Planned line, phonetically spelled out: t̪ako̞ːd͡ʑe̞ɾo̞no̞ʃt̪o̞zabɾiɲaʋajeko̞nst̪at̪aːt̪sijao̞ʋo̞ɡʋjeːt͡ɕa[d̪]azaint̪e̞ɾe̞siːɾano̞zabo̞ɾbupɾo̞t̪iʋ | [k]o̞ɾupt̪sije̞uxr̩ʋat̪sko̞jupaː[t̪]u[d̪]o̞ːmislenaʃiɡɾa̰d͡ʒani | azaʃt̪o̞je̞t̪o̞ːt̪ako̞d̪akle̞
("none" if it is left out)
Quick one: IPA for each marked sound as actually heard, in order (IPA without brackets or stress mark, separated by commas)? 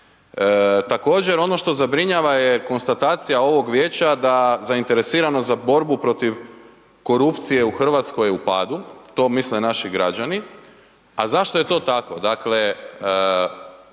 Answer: d̪, k, d̪, t̪